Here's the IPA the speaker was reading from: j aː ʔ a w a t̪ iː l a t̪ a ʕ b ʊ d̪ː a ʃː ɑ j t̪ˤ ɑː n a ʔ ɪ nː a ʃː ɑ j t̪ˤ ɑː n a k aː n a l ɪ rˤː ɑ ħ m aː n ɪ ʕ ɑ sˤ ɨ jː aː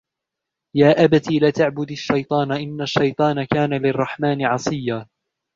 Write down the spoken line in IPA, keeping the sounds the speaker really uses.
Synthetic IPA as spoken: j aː ʔ a b a t̪ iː l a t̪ a ʕ b ʊ d̪ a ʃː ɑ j t̪ˤ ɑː n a ʔ ɪ nː a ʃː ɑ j t̪ˤ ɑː n a k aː n a l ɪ rˤː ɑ ħ m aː n ɪ ʕ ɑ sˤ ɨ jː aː